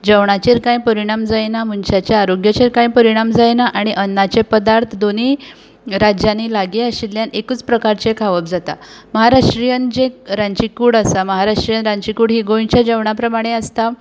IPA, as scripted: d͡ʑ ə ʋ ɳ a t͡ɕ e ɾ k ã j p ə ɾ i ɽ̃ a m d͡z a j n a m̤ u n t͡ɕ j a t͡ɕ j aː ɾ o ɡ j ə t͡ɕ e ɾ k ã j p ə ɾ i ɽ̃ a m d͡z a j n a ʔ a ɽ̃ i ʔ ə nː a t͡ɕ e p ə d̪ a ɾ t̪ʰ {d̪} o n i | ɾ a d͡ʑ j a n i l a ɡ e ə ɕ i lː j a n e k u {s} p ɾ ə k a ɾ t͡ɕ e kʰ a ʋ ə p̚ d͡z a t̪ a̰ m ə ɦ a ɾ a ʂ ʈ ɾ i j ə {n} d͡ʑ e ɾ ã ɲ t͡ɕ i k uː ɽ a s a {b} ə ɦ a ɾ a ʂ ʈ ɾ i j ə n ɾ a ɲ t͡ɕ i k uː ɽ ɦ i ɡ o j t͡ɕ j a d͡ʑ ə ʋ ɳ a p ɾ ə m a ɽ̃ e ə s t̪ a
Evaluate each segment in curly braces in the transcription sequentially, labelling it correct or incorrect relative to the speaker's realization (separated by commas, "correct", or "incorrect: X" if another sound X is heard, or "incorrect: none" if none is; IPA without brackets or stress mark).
correct, incorrect: t͡s, correct, incorrect: m